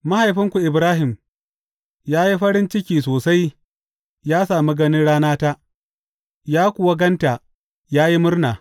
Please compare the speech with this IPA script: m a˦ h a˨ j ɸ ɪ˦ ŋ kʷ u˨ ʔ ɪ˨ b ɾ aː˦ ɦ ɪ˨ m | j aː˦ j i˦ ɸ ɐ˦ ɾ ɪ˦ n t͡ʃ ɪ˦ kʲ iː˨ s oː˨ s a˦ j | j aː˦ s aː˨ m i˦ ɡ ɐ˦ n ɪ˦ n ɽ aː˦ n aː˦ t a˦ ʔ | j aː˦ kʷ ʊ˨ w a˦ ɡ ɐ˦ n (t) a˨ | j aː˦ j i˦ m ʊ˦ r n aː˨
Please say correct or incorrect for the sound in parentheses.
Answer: correct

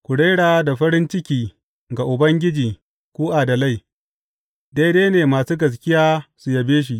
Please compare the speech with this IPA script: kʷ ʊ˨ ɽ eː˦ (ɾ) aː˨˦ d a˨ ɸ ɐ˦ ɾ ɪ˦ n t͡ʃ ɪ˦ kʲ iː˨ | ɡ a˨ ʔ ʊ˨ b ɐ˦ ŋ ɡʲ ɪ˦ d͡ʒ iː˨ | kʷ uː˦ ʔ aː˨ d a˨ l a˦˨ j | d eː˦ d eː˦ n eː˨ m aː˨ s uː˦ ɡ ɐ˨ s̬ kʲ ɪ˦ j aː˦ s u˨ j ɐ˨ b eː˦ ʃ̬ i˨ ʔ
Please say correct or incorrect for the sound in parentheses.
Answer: incorrect: ɽ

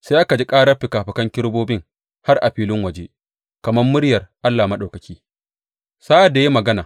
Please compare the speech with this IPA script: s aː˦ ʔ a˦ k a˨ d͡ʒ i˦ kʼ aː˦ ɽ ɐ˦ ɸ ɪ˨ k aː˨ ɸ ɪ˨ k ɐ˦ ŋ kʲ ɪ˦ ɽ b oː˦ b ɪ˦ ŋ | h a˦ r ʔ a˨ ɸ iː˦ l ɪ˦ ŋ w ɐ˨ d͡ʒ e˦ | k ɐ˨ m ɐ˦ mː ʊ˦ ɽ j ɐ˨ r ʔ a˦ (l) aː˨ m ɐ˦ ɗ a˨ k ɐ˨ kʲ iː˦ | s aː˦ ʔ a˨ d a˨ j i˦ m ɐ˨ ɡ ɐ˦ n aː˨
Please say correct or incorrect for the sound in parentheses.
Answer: incorrect: lː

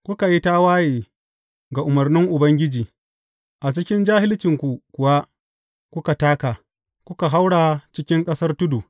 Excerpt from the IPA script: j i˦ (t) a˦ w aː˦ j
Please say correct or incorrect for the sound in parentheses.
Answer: correct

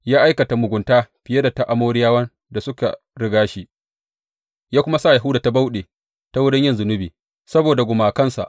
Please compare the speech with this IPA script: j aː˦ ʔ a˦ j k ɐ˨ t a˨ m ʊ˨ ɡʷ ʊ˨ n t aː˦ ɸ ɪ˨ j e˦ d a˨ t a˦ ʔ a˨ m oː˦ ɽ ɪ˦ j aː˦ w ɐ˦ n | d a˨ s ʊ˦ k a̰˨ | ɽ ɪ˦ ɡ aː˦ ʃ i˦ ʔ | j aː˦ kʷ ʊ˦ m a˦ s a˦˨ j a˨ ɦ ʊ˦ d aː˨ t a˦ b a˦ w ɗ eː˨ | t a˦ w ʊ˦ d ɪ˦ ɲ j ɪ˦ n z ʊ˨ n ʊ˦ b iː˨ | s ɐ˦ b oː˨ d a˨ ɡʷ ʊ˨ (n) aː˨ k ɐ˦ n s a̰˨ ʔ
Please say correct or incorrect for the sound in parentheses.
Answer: incorrect: m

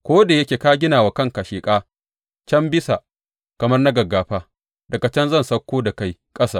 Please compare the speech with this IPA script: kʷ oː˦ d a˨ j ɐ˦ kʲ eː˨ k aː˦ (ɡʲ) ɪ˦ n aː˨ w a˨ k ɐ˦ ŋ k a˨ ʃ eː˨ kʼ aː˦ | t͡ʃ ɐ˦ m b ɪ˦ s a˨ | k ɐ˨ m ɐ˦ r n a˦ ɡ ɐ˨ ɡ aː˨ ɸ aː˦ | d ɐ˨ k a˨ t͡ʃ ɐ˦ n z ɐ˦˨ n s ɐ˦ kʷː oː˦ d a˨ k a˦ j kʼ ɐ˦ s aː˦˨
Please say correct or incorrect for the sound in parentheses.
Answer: correct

